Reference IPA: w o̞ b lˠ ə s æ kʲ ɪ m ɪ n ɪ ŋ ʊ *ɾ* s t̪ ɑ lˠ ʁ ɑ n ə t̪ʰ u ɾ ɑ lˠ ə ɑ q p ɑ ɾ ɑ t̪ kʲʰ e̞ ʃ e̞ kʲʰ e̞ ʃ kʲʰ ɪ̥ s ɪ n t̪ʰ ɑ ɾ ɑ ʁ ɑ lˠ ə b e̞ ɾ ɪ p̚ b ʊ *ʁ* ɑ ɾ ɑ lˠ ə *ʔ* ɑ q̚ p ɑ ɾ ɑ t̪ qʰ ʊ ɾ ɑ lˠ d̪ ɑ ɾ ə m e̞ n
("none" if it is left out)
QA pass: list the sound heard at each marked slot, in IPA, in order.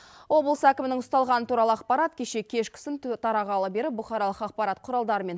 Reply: none, χ, q

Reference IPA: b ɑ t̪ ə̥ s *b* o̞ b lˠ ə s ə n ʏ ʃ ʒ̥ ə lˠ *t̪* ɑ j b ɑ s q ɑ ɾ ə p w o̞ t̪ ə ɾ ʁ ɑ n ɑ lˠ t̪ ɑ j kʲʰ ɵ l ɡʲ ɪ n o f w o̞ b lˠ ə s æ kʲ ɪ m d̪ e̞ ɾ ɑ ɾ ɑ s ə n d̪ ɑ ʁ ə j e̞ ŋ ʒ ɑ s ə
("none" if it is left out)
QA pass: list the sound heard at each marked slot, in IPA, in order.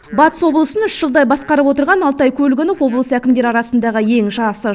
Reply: w, d̪

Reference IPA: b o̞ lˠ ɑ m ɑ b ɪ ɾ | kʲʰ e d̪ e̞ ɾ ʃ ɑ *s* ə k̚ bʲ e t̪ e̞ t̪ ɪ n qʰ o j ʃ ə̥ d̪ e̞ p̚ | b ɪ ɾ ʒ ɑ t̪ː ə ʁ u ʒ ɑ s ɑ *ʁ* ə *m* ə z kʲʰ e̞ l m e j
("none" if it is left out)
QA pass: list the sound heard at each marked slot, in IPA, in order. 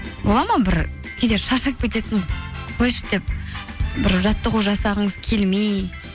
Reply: ʃ, ʁ, ɴ

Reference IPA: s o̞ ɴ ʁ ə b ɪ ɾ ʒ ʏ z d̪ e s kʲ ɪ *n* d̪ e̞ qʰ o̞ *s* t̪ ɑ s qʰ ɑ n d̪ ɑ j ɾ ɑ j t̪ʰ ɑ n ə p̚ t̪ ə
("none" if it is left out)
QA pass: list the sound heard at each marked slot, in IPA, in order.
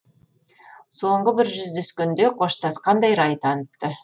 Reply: n, ʃ

